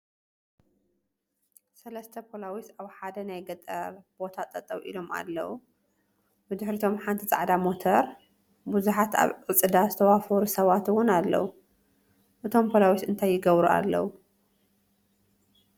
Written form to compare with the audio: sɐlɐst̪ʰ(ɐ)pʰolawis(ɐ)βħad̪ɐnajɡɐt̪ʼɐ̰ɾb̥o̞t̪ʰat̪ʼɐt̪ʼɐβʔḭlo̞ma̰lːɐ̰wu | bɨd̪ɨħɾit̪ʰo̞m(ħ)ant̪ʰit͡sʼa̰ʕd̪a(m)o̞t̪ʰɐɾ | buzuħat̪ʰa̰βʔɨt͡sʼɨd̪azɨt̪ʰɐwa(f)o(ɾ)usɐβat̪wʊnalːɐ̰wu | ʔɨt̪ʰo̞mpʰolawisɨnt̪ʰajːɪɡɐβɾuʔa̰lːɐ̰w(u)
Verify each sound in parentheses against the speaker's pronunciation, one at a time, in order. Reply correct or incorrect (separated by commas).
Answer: correct, incorrect, correct, correct, correct, correct, correct